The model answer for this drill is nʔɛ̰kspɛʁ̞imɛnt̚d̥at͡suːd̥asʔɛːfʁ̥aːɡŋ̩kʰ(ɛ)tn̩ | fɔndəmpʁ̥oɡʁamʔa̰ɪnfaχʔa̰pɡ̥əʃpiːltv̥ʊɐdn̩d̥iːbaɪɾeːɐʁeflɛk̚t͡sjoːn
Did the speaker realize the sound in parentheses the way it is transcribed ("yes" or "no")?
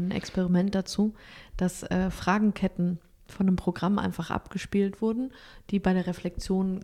yes